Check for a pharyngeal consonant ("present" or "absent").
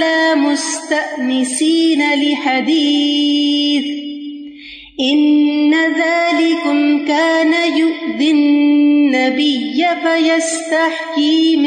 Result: present